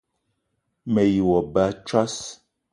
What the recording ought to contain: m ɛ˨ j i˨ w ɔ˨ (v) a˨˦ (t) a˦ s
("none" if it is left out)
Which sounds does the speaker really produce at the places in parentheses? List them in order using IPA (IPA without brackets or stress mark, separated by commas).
b, t͡ʃ